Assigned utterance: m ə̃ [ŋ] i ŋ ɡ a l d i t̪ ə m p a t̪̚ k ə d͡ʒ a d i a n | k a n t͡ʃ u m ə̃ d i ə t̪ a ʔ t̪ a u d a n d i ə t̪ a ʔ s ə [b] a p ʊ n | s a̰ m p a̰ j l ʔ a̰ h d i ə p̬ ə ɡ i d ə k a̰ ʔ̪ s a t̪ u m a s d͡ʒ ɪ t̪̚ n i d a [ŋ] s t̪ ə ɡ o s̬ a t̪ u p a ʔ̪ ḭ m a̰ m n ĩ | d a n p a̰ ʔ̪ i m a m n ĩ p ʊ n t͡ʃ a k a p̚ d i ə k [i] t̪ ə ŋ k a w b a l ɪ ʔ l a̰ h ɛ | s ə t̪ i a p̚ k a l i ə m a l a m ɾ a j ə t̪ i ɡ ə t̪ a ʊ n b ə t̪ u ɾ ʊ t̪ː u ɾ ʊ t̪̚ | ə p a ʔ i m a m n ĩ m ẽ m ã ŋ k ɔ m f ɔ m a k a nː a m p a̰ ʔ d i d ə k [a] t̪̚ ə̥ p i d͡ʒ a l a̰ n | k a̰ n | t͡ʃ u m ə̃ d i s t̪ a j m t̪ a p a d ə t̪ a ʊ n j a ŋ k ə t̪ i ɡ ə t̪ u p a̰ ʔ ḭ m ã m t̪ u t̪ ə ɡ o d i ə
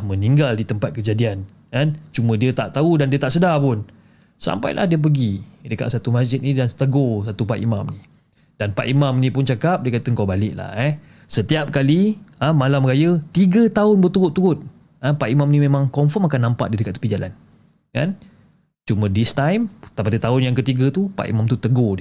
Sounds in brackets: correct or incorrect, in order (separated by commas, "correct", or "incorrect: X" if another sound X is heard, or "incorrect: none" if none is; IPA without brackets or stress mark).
incorrect: n, incorrect: d, incorrect: n, incorrect: a, correct